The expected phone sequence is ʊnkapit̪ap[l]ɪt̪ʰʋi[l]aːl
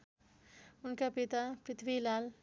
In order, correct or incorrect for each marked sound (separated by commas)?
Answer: incorrect, correct